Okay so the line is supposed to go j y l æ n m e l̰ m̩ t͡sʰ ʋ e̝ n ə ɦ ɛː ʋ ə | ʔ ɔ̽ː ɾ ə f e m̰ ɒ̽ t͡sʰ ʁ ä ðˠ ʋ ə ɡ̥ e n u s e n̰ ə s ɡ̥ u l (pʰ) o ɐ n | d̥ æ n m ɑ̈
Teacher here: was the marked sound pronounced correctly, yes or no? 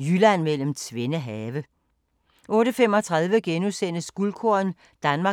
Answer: no